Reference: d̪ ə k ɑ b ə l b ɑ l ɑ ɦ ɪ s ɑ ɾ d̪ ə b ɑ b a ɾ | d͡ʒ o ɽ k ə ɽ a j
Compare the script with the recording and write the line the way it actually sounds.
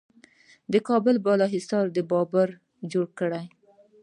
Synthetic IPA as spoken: d̪ ə k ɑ b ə l b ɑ l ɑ ɦ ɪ s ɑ ɾ d̪ ə b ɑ b a ɾ | d͡ʒ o ɽ k ə ɽ a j